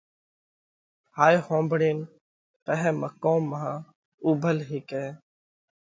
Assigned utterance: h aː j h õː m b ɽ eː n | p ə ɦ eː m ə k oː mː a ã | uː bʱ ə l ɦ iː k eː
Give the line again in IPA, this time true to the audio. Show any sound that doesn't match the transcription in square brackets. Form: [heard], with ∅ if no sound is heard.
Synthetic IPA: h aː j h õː m b ɽ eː n | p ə ɦ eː m ə k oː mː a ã | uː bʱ ə l ɦ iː k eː

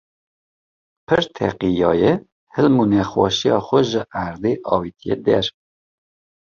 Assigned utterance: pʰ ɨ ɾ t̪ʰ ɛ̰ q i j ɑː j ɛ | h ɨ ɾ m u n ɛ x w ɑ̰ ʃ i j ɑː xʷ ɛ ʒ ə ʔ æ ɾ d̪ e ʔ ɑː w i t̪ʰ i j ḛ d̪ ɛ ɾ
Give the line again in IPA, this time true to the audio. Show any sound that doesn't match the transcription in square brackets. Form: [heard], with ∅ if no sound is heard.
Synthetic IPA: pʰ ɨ ɾ t̪ʰ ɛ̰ q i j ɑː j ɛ | h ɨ [l] m u n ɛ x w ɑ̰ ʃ i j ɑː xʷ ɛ ʒ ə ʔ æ ɾ d̪ e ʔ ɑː w i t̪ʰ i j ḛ d̪ ɛ ɾ

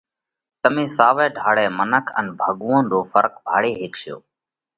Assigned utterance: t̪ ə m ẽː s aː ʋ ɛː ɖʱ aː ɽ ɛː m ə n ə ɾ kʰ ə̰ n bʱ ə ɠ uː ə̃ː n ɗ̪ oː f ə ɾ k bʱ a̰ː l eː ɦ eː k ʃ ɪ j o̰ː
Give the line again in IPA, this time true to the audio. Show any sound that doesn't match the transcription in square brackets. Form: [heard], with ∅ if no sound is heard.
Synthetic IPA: t̪ ə m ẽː s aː ʋ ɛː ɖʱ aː ɽ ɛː m ə n ə [∅] kʰ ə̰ n bʱ ə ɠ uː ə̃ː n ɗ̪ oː f ə ɾ k bʱ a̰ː [ɽ] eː ɦ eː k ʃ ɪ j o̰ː

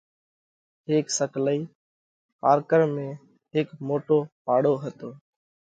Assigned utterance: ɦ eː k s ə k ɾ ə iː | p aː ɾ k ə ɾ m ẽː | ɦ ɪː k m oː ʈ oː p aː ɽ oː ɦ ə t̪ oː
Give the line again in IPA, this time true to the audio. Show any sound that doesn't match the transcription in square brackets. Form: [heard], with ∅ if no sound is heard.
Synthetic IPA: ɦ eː k s ə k [l] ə iː | p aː ɾ k ə ɾ m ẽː | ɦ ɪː k m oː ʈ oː p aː ɽ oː ɦ ə t̪ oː

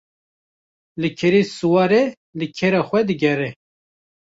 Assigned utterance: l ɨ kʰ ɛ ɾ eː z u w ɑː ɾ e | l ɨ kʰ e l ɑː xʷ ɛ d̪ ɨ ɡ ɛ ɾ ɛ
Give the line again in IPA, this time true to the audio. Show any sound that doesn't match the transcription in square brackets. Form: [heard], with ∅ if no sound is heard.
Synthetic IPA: l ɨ kʰ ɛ ɾ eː [s] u w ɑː ɾ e | l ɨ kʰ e [ɾ] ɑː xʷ ɛ d̪ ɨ ɡ ɛ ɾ ɛ

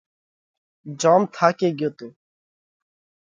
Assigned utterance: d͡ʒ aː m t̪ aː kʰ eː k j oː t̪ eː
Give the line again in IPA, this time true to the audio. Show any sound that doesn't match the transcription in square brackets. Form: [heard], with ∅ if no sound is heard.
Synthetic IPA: d͡ʒ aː m [t̪ʰ] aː [k] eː [ɡ] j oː t̪ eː

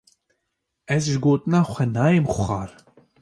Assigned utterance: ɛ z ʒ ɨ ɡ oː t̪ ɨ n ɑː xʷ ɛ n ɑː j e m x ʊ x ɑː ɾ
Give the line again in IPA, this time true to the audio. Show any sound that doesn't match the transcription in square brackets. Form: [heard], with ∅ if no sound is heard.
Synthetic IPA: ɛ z ʒ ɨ ɡ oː t̪ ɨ n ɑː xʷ ɛ n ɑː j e m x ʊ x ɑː ɾ

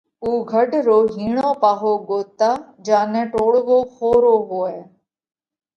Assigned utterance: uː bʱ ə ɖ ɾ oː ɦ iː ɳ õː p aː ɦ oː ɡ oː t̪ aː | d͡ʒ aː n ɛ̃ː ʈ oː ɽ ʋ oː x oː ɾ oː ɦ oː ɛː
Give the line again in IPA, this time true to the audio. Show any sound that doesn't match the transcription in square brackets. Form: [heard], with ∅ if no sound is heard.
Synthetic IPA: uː [ɡʱ] ə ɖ ɾ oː ɦ iː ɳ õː p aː ɦ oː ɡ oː t̪ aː | d͡ʒ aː n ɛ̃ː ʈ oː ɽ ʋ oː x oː ɾ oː ɦ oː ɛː

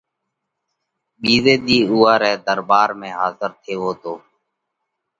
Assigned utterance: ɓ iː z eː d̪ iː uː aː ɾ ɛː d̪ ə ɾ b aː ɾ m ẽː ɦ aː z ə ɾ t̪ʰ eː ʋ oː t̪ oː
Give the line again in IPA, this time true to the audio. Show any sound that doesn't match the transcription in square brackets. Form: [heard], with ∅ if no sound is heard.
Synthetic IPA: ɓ iː z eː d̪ iː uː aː ɾ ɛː d̪ ə ɾ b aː ɾ m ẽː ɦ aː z ə ɾ t̪ʰ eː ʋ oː t̪ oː

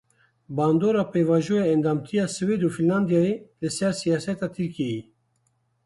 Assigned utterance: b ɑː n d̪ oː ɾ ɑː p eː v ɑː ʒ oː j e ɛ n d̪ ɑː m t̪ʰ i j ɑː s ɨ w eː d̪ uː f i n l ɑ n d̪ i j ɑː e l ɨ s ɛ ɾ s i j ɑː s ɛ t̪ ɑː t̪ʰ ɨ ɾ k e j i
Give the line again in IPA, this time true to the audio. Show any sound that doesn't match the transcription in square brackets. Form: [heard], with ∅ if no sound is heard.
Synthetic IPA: b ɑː n d̪ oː ɾ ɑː p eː v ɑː ʒ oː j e ɛ n d̪ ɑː m t̪ʰ i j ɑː s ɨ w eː d̪ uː f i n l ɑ n d̪ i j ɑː e l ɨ s ɛ ɾ s i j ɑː s ɛ t̪ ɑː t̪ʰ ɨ ɾ k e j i

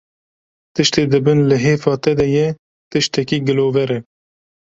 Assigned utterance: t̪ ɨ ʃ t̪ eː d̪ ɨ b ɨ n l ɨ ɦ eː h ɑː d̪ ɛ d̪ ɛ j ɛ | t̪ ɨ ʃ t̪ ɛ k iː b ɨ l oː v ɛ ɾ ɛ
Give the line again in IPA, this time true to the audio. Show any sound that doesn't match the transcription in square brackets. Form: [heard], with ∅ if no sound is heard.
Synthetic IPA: t̪ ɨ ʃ t̪ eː d̪ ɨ b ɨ n l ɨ ɦ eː [f] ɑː [t̪] ɛ d̪ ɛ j ɛ | t̪ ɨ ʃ t̪ ɛ k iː [ɡ] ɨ l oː v ɛ ɾ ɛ

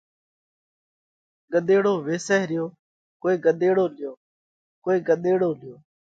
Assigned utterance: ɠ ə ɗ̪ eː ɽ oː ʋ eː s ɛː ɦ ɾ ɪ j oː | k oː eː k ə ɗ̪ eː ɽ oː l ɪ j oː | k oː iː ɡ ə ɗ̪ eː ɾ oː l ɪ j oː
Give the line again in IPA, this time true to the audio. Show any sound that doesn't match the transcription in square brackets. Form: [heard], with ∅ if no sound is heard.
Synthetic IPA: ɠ ə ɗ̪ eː ɽ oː ʋ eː s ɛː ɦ ɾ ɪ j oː | k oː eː [ɡ] ə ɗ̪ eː ɽ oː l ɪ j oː | k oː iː ɡ ə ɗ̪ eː [ɽ] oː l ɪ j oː

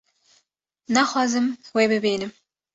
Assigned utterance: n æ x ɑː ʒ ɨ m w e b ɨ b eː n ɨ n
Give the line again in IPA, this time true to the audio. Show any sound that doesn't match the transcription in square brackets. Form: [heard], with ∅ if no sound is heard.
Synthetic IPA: n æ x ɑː [z] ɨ m w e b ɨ b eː n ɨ [m]

